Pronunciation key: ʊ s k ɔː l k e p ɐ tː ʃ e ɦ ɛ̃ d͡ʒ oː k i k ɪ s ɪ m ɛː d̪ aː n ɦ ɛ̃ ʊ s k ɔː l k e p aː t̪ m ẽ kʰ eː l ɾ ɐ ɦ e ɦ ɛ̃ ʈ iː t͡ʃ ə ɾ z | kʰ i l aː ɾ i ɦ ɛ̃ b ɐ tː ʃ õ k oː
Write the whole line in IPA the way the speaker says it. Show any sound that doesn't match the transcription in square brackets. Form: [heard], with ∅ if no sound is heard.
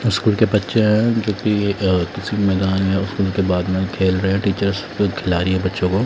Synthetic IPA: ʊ s k [uː] l k e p ɐ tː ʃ e ɦ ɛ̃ d͡ʒ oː k i k ɪ s [i] m ɛː d̪ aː n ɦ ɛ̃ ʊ s k [uː] l k e [b] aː [d̪] m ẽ kʰ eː l ɾ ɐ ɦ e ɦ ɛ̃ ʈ iː t͡ʃ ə ɾ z | kʰ [ɪ] l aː ɾ i ɦ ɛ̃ b ɐ tː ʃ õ k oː